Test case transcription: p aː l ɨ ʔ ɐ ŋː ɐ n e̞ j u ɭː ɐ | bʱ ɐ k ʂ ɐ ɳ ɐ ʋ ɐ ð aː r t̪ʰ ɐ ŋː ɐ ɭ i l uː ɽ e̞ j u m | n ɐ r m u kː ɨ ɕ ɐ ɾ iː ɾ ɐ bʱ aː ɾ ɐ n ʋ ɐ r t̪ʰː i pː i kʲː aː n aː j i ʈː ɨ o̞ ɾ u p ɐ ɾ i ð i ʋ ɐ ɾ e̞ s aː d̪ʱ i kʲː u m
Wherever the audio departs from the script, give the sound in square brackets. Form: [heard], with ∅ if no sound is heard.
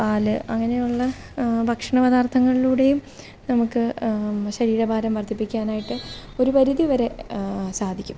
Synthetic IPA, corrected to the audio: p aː l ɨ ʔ ɐ ŋː ɐ n e̞ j u ɭː ɐ | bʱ ɐ k ʂ ɐ ɳ ɐ ʋ ɐ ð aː r t̪ʰ ɐ ŋː ɐ ɭ i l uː ɽ e̞ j u m | n ɐ [∅] m u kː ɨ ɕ ɐ ɾ iː ɾ ɐ bʱ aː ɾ ɐ [m] ʋ ɐ r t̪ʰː i pː i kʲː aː n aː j i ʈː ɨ o̞ ɾ u p ɐ ɾ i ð i ʋ ɐ ɾ e̞ s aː d̪ʱ i kʲː u m